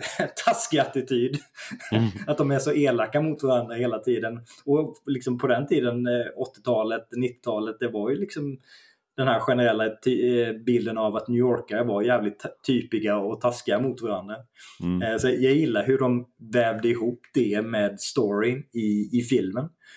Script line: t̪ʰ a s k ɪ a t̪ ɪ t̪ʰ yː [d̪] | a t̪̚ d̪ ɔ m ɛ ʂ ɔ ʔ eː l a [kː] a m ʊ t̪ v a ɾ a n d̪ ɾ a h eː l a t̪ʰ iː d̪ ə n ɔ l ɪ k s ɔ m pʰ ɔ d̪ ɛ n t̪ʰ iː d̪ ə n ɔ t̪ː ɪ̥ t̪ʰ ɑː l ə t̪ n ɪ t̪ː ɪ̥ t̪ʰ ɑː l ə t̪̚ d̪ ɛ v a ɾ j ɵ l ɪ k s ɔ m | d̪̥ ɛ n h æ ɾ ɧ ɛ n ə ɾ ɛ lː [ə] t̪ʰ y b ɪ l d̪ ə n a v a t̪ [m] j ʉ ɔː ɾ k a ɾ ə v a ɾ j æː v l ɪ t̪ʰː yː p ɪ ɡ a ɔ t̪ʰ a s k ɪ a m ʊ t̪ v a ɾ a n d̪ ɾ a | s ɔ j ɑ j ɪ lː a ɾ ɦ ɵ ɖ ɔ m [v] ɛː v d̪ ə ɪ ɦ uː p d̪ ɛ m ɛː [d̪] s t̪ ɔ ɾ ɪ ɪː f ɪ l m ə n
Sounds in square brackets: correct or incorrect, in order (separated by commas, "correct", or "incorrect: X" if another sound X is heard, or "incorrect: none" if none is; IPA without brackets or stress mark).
correct, correct, incorrect: a, incorrect: n, correct, correct